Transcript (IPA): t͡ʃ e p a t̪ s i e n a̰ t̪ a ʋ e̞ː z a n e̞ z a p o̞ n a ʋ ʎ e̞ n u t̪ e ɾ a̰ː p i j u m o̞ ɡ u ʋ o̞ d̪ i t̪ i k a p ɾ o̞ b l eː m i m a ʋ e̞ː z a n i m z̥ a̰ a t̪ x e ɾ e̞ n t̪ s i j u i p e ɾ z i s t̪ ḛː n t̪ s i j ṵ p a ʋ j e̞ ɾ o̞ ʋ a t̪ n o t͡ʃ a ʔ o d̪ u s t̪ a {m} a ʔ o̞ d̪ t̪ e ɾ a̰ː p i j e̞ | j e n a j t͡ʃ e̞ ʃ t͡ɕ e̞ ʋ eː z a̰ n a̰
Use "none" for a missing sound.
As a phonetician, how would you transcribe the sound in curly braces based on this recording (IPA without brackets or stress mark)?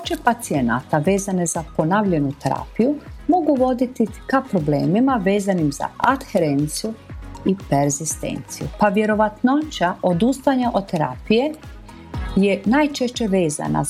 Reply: ɲ